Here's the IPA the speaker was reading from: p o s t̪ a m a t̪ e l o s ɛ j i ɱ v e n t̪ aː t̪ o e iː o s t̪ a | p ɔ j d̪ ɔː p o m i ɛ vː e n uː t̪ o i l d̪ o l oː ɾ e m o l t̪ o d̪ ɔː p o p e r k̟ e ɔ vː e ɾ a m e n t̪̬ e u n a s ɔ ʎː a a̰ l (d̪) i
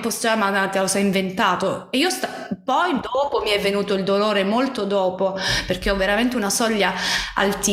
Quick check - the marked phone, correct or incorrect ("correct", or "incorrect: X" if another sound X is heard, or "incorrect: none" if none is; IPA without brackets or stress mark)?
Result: incorrect: t̪